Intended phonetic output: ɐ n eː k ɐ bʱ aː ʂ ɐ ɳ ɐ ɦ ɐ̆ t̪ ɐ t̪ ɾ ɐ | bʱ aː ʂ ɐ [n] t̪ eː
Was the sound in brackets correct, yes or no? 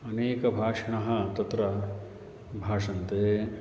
yes